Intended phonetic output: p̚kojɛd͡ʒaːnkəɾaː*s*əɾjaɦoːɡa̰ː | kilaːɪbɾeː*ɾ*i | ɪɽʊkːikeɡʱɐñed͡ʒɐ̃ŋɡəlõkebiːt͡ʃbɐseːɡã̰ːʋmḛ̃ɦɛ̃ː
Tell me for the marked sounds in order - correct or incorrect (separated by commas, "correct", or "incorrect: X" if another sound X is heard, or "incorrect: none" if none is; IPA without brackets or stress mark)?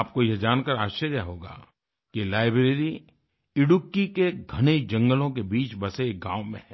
incorrect: ʃ, correct